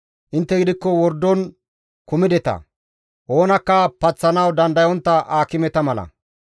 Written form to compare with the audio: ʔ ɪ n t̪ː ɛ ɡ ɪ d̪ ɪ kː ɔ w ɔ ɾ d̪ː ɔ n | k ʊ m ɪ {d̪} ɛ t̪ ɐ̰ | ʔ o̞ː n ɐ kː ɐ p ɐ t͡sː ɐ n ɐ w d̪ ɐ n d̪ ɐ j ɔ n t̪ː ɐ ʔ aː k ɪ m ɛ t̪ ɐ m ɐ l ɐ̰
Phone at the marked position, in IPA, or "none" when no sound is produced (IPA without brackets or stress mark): d̪